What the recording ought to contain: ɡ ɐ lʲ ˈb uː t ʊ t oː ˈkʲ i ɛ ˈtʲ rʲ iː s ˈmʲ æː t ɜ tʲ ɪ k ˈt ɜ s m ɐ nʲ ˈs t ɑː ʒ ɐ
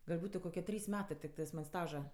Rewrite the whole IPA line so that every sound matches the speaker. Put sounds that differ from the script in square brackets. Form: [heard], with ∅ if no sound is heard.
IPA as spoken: ɡ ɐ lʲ ˈb uː t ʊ [k] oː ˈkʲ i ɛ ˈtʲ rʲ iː s ˈmʲ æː t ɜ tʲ ɪ k ˈt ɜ s m ɐ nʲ ˈs t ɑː ʒ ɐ